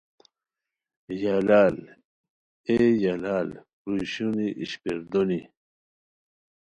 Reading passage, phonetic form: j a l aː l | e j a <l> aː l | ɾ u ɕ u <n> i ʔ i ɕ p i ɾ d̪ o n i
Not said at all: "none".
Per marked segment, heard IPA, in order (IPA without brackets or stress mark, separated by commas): l, n